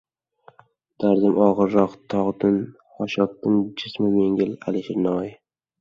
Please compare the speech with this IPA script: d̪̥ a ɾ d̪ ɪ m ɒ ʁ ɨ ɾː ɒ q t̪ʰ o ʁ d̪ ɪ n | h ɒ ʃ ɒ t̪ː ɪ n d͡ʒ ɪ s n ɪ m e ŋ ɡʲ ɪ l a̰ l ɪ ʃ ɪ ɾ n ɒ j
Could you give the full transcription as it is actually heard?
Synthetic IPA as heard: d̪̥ a ɾ d̪ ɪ m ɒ ʁ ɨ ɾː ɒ q t̪ʰ ɒ ʁ d̪ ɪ n | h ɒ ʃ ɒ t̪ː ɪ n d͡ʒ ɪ s m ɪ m e ŋ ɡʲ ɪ l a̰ l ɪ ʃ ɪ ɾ n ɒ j